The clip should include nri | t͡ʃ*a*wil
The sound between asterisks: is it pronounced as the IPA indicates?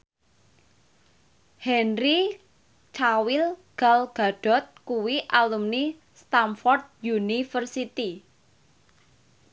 yes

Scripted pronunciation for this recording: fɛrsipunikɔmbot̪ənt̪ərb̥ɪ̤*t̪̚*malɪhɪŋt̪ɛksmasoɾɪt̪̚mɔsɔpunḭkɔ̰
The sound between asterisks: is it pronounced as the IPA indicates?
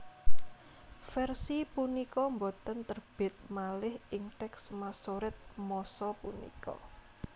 yes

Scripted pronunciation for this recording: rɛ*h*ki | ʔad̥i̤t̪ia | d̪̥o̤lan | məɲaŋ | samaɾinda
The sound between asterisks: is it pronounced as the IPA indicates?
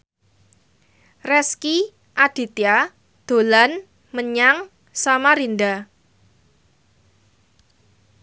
no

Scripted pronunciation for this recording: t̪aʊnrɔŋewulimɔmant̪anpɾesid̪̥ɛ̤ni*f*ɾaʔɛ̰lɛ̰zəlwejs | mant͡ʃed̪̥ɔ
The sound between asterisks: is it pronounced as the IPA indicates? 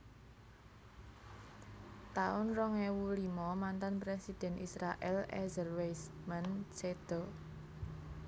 no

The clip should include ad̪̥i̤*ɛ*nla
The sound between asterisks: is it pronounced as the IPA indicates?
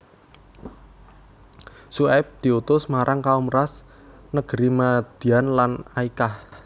no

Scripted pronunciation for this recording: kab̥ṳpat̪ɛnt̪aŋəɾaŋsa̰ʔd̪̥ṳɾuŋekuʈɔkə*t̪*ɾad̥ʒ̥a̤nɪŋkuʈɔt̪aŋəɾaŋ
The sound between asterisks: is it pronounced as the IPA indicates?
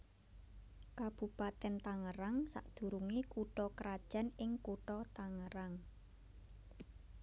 no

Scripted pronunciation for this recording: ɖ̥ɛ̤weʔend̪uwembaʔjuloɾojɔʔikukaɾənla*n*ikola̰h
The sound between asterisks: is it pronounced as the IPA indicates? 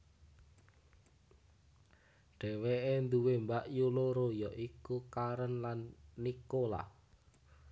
no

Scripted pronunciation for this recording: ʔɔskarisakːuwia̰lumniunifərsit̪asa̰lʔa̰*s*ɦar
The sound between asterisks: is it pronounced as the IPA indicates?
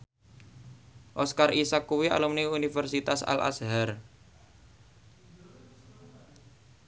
yes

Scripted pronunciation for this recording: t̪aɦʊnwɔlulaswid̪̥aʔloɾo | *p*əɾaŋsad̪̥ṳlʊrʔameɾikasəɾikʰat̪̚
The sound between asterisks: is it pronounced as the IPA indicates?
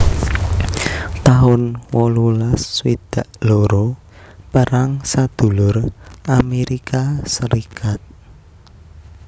yes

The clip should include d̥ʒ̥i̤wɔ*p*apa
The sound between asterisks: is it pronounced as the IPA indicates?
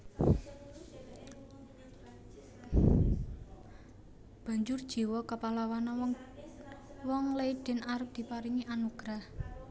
no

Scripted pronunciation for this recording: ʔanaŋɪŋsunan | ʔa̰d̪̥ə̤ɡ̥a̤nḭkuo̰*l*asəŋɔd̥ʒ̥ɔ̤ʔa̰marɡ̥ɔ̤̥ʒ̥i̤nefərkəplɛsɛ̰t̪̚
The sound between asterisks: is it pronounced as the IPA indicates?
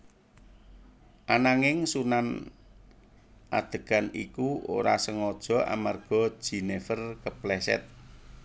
no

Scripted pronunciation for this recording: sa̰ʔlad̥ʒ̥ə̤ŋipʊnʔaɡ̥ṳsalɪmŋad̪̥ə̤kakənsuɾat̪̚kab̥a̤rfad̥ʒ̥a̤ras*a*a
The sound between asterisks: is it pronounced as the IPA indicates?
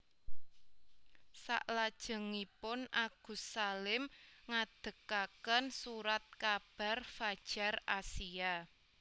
no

